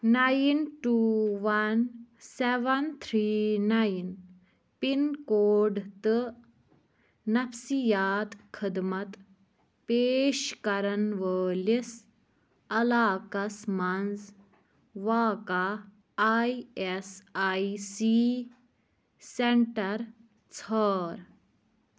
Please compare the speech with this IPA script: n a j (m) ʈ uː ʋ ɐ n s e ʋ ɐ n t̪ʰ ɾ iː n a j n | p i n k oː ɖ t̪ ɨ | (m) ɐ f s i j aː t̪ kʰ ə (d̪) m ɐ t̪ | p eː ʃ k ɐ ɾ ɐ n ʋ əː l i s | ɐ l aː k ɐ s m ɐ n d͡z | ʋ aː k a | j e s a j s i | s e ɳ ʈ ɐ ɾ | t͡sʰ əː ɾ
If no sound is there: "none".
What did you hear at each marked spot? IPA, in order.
n, n, d̪

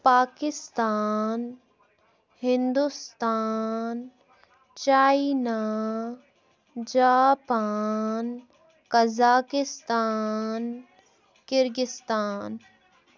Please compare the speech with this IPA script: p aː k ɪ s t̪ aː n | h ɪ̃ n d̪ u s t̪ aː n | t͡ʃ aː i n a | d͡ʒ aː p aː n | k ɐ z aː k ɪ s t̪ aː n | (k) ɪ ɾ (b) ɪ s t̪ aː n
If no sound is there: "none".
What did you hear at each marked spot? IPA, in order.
k, ɡ

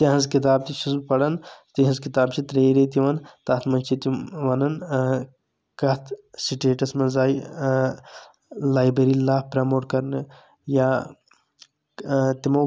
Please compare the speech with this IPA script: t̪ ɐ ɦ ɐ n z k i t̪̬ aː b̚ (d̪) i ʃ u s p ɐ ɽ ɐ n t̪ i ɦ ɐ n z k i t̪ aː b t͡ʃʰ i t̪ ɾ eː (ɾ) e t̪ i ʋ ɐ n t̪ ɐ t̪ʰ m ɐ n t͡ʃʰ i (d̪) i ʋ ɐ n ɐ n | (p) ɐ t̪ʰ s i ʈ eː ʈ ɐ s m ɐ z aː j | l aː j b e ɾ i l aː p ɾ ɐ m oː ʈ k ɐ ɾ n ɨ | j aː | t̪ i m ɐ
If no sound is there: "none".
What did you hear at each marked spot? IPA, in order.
t̪, ɾ, t̪, k

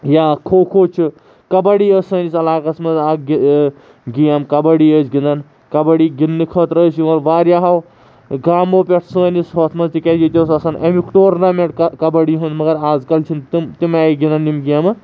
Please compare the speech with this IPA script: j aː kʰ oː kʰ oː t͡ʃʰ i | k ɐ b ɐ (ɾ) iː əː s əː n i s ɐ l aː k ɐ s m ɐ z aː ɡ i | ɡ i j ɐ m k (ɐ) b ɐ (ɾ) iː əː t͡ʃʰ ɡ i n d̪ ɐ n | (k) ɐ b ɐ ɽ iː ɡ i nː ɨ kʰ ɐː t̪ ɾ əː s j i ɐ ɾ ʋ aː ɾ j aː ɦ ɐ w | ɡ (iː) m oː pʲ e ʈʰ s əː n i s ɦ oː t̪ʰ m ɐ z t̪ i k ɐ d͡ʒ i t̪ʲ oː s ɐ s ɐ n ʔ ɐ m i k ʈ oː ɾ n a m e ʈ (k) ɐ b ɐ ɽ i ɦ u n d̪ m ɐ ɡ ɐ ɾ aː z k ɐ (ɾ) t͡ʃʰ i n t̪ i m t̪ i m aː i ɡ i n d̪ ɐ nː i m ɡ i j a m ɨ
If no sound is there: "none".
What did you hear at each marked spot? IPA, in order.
ɽ, ɐ, ɽ, k, aː, k, l

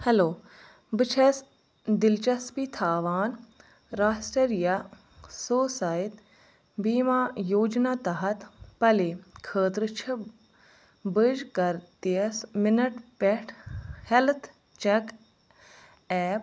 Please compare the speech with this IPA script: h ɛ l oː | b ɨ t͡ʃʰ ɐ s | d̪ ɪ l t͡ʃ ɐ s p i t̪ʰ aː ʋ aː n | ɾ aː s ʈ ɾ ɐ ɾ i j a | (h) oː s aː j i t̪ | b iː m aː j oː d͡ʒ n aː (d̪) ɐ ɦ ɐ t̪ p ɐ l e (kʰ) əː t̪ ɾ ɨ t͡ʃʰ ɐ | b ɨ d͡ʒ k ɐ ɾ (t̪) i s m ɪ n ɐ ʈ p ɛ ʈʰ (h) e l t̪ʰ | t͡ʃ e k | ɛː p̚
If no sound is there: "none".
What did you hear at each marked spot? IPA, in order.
s, t̪, kʰ, t̪, h

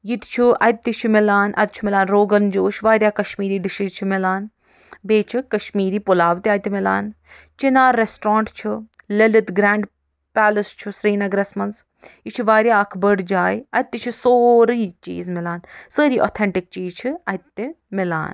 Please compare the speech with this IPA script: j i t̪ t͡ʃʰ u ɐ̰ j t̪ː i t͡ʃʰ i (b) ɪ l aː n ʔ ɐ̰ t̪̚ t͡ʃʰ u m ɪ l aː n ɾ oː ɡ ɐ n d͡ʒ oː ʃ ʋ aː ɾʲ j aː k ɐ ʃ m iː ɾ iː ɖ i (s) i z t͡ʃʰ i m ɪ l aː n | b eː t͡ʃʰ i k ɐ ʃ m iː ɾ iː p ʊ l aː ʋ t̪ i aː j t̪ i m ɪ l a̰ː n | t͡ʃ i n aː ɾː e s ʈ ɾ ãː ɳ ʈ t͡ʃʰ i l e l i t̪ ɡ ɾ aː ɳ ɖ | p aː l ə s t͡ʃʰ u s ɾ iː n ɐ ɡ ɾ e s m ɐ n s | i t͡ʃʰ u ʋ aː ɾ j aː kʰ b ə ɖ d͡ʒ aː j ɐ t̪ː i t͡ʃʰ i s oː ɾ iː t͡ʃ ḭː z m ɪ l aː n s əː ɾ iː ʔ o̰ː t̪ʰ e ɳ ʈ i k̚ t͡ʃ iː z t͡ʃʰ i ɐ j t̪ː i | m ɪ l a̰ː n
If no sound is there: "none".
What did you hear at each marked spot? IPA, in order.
m, ʃ

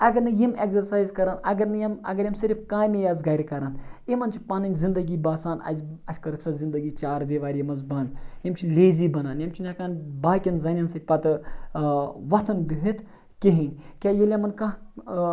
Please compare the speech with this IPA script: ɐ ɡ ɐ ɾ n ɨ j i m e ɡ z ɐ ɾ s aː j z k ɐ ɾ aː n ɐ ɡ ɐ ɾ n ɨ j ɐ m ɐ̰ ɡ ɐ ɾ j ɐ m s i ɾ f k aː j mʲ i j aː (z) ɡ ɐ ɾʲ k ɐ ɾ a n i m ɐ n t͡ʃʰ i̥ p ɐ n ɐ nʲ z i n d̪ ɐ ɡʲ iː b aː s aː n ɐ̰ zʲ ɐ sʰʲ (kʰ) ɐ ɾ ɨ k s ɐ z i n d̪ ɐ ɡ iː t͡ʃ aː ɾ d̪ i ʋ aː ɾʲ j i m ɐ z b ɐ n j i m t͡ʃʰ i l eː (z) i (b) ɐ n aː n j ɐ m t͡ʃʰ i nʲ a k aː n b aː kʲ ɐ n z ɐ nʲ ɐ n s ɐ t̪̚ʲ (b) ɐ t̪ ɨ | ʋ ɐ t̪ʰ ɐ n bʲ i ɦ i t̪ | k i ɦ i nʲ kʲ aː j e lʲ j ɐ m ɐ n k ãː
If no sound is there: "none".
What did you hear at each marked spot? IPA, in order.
z, k, z, b, p

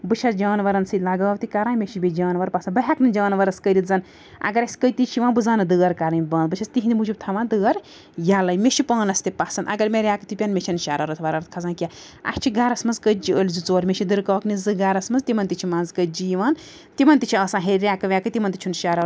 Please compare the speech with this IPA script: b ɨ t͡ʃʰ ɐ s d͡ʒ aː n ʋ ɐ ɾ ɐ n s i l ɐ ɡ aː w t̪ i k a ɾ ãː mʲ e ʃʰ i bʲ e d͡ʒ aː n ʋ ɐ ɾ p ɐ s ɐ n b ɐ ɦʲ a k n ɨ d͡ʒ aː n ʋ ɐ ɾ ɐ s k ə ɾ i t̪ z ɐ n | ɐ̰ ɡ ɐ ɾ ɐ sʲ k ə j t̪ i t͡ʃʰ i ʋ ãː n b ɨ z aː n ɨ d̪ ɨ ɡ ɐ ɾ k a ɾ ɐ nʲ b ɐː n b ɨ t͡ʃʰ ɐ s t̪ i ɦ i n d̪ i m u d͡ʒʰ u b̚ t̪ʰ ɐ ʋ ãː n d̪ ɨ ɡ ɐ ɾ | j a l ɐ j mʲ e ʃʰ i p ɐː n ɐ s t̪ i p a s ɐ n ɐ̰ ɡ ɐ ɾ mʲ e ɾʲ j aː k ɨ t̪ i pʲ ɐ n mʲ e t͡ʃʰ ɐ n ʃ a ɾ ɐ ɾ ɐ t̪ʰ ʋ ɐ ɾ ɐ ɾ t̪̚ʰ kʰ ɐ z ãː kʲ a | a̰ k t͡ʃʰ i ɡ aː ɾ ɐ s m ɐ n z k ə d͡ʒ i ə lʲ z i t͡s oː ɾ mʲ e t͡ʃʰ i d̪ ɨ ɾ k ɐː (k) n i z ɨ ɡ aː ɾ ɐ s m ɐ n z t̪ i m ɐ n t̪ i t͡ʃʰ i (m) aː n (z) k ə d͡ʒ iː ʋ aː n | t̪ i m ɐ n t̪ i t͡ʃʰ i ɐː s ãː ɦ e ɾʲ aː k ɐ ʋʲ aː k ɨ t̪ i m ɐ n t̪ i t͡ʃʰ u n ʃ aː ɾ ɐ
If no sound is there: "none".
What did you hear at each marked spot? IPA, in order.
k, m, z

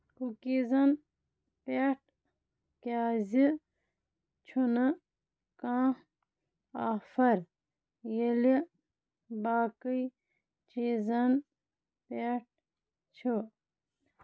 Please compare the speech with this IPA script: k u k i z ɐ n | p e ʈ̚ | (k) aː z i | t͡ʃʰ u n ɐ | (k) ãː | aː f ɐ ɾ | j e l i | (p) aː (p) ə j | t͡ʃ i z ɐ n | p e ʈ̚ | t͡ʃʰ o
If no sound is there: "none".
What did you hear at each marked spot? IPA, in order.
k, k, b, k

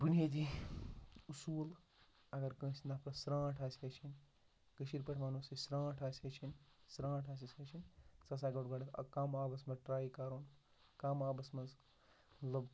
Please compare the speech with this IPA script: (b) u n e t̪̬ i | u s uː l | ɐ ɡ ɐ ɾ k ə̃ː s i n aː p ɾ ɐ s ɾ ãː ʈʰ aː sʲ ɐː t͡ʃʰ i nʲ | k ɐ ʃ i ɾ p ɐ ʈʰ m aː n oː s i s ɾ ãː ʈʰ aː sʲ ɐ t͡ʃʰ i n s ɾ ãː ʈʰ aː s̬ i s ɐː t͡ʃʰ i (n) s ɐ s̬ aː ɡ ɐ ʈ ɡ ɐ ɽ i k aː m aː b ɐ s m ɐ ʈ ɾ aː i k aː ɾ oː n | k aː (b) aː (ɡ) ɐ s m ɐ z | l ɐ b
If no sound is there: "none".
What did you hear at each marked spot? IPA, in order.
b, n, m, b

